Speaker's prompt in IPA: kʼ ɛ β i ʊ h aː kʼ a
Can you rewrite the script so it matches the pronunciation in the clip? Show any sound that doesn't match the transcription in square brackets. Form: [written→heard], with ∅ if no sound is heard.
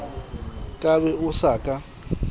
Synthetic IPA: kʼ [ɛ→a] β [i→ɛ] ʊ [h→s] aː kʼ a